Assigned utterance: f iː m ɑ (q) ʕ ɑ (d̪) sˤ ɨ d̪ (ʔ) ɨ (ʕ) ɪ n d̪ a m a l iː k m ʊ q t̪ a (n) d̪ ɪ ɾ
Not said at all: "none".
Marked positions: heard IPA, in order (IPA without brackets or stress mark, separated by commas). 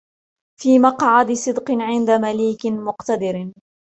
q, d̪, q, ʕ, none